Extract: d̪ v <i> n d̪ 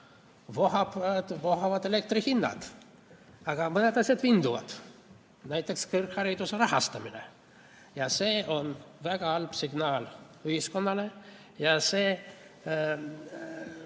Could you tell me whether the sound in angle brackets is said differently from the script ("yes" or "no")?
no